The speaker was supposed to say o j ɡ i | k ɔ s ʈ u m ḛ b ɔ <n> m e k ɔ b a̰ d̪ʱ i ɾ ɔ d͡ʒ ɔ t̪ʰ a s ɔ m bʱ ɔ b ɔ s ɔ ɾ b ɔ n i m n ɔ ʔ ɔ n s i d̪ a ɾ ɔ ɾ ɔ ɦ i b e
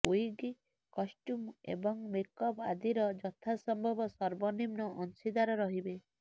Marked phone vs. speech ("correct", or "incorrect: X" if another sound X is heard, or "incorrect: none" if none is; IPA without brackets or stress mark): incorrect: ŋ